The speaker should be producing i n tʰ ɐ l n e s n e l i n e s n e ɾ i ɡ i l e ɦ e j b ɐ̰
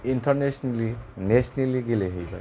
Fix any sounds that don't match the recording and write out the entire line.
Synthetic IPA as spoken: i n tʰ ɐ ɾ n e s n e l i n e s n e l i ɡ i l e ɦ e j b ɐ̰